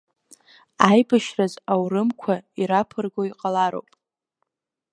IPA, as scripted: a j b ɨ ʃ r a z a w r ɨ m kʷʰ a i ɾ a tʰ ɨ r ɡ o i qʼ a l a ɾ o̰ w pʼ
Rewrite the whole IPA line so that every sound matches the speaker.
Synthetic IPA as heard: a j b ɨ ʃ r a z a w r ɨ m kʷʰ a i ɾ a pʰ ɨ r ɡ o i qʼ a l a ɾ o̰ w pʼ